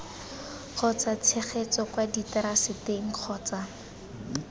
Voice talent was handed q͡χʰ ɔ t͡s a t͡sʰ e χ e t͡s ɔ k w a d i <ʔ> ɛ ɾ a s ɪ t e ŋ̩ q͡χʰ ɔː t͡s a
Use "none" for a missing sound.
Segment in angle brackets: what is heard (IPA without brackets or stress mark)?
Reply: t